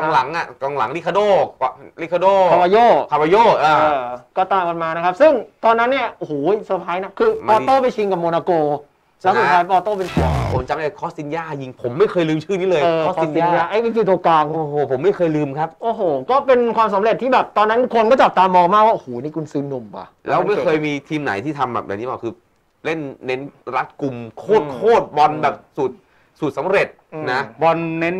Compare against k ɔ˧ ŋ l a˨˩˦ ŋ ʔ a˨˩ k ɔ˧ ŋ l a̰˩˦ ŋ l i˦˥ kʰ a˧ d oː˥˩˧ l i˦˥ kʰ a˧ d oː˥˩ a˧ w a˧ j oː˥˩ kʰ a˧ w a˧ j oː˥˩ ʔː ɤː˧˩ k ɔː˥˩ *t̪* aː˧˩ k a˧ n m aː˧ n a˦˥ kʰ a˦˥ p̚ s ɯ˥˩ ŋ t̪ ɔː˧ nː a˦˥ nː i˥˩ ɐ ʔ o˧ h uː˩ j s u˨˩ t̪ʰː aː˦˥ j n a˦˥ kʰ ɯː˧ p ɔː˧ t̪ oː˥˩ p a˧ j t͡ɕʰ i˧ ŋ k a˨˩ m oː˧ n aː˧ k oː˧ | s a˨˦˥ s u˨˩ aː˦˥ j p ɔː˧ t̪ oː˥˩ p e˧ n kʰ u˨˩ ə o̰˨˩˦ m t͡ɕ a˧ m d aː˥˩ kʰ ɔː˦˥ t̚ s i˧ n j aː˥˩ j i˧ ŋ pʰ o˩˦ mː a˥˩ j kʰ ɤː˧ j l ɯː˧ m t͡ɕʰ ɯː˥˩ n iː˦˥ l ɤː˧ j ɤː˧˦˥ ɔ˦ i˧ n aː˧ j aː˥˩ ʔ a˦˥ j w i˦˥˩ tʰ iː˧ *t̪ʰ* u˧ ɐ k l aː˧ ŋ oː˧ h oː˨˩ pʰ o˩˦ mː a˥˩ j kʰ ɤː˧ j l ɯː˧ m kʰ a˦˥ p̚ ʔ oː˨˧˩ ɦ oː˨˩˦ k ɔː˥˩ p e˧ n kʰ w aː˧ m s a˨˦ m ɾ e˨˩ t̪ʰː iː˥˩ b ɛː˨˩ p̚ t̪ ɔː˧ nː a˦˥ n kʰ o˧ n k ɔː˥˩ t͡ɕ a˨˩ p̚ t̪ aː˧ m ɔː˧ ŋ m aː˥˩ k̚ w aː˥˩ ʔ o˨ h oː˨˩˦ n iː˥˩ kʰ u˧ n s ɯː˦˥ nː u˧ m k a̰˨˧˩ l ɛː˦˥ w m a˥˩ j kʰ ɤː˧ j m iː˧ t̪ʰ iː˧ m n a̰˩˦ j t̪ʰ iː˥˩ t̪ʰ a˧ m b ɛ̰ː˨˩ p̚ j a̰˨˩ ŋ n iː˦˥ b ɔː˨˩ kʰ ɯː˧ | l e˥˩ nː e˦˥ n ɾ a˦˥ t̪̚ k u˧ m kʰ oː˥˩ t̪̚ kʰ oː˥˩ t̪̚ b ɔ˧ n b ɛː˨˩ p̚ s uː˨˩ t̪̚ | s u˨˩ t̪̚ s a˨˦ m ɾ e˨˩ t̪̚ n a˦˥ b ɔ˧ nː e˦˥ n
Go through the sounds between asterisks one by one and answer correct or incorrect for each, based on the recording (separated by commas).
correct, incorrect